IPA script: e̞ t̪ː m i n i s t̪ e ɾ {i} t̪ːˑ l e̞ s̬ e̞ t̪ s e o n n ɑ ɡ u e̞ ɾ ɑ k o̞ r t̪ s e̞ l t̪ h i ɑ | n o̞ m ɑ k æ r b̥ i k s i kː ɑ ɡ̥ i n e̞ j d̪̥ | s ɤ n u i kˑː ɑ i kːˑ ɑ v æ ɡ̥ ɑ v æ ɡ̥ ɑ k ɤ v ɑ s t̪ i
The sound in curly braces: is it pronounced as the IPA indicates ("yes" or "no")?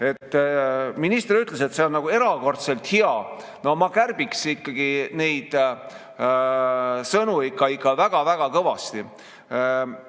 no